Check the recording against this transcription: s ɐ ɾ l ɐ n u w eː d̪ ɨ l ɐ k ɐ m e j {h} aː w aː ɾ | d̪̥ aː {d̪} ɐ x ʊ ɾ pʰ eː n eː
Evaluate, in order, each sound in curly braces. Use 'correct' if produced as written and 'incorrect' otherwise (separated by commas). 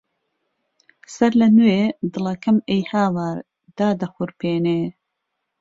correct, correct